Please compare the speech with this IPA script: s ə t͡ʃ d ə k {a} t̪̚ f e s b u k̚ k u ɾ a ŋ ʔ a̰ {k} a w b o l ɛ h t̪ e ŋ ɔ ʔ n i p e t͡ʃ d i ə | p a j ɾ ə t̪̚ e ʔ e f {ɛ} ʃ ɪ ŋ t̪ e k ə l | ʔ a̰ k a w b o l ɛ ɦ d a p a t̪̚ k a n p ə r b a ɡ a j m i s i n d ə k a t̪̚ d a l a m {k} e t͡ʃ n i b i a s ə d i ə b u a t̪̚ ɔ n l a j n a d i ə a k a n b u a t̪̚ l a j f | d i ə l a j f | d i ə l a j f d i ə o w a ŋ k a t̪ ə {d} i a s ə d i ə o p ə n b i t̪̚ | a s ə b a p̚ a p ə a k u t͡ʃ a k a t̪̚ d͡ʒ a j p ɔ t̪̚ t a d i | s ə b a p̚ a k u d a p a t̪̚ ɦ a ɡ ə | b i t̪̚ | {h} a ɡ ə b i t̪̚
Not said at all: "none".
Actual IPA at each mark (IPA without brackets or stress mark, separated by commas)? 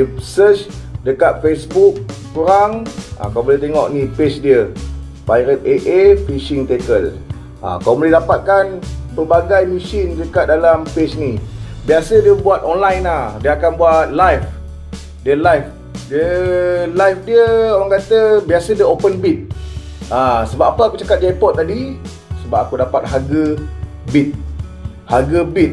a, k, i, p, b, h